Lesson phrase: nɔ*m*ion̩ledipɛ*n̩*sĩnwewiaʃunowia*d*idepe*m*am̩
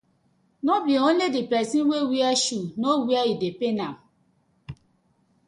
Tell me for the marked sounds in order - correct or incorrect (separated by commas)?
incorrect, incorrect, incorrect, incorrect